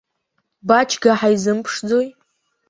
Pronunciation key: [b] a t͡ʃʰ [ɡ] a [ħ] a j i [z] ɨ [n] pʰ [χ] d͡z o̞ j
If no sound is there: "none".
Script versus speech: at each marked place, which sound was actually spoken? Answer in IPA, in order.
b, ɡ, ħ, z, m, ʂ

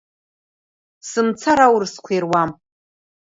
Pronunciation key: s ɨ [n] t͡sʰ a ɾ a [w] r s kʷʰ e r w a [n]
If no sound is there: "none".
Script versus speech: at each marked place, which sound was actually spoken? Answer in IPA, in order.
m, w, m

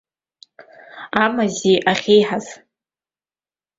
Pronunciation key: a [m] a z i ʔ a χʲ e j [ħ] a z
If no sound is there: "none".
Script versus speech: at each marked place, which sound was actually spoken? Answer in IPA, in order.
m, ħ

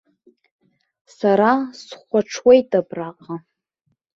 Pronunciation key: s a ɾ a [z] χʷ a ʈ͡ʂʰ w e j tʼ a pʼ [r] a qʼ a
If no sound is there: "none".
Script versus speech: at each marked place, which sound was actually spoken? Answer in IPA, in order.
s, r

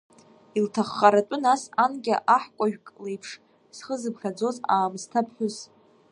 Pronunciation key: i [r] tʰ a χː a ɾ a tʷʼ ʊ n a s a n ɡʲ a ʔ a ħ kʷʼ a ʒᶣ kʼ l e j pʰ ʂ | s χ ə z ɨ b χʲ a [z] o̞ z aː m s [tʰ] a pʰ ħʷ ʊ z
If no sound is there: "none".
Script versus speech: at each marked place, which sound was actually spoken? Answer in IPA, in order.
l, d͡z, tʰ

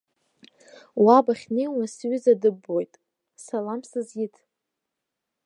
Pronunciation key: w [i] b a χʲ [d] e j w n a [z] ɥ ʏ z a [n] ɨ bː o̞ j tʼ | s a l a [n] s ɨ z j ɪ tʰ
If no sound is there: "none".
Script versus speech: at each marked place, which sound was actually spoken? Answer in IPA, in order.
a, n, s, d, m

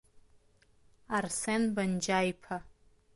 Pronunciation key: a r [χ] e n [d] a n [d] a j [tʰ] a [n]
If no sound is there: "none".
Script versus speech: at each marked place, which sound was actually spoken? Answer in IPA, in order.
s, b, d͡ʒ, pʰ, none

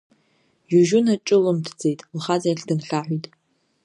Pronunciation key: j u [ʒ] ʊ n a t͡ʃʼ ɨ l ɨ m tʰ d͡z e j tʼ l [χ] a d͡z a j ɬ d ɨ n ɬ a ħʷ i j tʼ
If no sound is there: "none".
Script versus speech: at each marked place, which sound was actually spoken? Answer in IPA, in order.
ʒ, χ

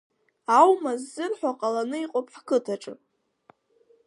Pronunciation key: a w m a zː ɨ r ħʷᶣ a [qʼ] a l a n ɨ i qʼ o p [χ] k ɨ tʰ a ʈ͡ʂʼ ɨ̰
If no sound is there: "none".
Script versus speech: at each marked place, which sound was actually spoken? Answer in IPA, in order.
qʼ, ħ

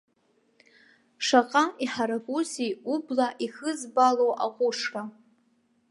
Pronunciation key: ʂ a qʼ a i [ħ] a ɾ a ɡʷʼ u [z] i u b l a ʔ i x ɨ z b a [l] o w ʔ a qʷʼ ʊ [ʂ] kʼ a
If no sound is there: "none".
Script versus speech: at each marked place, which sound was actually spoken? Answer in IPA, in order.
ħ, z, l, ʂ

